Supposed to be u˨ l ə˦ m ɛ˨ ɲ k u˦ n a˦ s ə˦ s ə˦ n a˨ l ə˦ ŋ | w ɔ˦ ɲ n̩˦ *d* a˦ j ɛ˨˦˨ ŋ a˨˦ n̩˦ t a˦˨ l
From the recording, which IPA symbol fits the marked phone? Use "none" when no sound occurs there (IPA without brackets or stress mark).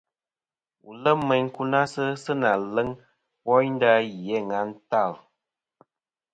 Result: d